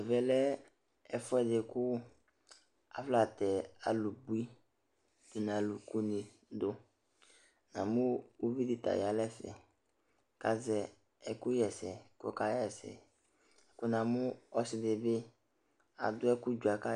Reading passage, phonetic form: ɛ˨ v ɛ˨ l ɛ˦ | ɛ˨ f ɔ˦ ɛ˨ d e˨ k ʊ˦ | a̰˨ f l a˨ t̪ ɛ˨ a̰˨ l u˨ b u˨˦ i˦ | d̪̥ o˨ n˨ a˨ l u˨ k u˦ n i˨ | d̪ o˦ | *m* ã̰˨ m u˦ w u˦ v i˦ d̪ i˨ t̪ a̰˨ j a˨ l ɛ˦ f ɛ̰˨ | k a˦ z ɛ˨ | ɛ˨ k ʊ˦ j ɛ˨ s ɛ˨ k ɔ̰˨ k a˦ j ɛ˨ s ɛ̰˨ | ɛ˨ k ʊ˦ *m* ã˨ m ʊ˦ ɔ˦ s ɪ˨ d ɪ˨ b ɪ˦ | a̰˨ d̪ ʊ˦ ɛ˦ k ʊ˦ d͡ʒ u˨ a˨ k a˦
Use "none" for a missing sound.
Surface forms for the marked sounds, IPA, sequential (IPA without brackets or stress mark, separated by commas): n, n